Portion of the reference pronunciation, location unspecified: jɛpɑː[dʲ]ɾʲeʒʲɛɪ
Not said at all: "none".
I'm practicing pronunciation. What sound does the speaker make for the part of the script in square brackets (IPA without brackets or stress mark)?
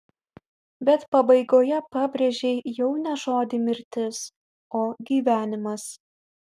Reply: bʲ